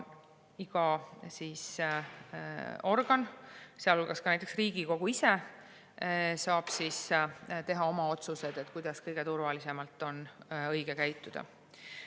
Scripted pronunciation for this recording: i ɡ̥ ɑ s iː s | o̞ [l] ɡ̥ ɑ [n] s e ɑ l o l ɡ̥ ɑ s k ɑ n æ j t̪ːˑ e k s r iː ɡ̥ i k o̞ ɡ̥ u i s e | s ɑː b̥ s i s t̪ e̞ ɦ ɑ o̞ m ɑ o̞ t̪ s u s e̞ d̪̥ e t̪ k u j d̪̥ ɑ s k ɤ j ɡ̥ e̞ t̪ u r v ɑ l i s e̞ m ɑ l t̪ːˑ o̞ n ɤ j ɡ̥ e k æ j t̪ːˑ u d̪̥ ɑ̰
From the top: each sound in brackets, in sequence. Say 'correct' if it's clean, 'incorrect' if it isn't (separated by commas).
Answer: incorrect, correct